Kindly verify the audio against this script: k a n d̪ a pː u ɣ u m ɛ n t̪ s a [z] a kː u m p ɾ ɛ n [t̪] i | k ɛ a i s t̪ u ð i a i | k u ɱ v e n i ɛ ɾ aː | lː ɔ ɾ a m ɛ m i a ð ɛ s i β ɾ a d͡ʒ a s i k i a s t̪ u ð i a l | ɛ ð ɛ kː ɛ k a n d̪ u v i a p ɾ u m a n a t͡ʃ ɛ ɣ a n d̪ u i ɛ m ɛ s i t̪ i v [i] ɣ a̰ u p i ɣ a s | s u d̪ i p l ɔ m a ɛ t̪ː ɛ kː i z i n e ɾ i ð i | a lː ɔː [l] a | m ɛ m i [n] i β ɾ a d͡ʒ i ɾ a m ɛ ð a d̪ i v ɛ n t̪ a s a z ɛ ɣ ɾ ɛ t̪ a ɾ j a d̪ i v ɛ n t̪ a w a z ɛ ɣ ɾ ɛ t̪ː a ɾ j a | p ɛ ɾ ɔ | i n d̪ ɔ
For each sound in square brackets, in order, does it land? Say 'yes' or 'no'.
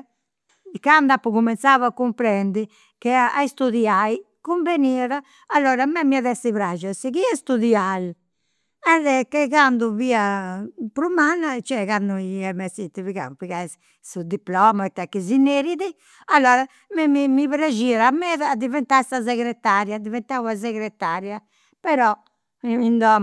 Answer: no, no, yes, no, no

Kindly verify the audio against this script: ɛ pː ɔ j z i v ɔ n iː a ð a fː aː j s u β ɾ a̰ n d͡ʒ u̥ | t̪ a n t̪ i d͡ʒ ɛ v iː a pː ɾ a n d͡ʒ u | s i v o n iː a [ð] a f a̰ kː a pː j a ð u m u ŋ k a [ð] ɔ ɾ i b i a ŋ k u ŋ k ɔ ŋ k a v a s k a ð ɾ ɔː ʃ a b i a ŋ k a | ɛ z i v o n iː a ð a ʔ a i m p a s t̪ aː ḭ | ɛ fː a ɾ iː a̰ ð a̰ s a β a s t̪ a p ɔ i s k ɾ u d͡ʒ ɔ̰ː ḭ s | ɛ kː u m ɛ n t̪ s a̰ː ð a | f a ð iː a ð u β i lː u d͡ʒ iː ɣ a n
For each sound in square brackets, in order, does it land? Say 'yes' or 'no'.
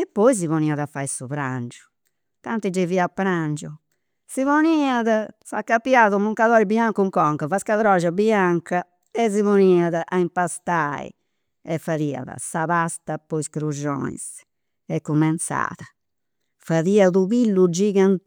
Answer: yes, yes

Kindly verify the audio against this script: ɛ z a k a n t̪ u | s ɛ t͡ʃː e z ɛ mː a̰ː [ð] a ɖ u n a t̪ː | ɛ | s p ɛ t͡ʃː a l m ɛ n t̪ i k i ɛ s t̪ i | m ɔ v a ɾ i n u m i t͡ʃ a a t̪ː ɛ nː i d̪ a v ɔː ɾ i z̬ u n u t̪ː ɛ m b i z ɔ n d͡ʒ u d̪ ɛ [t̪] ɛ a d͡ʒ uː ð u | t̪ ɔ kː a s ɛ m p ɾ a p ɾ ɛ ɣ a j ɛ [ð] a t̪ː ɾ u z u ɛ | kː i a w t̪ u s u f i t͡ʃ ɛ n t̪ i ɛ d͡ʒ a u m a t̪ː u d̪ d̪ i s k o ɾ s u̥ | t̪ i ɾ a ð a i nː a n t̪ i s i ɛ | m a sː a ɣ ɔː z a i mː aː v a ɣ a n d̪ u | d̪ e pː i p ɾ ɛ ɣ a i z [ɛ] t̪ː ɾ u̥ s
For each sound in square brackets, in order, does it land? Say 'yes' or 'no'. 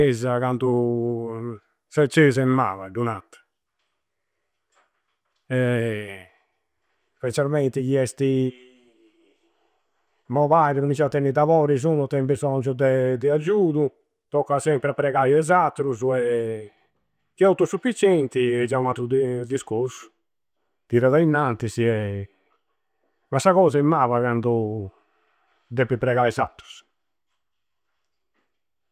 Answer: no, no, no, no

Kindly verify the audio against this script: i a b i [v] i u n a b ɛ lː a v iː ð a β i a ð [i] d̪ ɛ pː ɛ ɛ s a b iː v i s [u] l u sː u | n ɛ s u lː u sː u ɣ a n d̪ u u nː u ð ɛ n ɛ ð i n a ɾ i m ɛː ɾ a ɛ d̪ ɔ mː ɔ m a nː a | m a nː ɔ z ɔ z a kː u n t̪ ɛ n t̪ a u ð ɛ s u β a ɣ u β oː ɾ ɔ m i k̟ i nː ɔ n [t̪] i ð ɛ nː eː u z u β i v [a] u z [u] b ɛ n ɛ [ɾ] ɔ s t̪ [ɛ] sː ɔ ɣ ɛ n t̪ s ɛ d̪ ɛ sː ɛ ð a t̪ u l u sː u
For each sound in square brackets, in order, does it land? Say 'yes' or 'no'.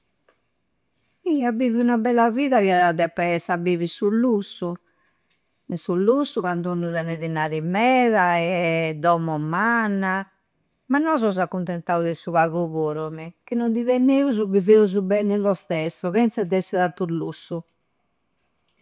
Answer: yes, no, yes, no, no, yes, no, yes

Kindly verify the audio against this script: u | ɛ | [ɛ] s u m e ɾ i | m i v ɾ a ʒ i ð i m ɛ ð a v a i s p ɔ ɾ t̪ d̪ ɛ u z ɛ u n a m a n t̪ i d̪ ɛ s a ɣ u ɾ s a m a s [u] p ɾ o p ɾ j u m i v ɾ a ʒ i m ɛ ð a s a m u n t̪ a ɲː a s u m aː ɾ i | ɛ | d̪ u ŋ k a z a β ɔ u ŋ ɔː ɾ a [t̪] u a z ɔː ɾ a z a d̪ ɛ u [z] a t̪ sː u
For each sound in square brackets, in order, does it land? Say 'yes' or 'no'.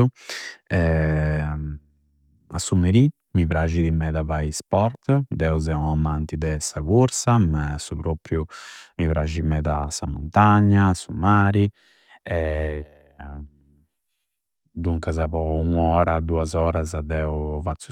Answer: no, yes, no, no

